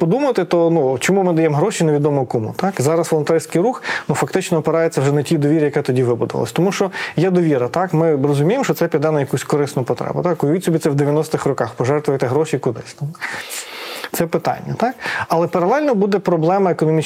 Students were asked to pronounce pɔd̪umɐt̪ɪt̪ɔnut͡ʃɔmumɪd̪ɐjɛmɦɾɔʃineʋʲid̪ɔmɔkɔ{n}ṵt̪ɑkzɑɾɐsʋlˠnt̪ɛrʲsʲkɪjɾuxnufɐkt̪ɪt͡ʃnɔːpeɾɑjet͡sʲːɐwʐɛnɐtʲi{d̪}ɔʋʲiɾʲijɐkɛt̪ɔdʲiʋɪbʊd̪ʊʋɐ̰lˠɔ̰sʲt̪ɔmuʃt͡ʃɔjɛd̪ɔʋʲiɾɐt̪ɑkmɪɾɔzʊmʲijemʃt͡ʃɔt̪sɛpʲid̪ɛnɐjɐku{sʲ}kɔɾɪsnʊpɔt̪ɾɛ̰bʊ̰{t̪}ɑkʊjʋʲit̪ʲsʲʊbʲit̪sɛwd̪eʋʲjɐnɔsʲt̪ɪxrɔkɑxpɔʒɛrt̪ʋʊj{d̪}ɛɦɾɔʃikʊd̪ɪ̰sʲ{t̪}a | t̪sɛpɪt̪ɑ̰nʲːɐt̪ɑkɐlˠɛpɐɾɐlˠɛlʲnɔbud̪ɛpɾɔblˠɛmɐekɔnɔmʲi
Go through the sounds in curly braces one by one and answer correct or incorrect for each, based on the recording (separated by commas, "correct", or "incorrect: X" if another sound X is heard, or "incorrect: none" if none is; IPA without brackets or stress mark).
incorrect: m, correct, correct, correct, incorrect: t̪, correct